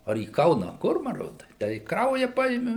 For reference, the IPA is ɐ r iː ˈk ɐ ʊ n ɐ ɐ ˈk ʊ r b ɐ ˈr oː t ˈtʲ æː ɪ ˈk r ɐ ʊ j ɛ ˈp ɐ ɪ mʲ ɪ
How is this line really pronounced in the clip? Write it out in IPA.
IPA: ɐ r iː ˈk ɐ ʊ n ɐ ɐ ˈk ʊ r m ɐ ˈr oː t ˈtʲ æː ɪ ˈk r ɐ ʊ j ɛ ˈp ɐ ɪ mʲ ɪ